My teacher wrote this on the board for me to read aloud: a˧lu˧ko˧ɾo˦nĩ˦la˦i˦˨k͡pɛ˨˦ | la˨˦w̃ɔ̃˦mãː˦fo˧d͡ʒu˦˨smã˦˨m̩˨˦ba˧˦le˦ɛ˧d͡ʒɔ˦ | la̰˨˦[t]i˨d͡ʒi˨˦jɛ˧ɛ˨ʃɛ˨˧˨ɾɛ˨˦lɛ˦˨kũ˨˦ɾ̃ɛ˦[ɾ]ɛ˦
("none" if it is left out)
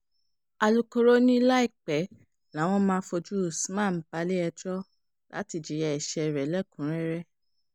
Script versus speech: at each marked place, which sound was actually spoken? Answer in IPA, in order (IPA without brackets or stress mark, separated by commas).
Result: t, ɾ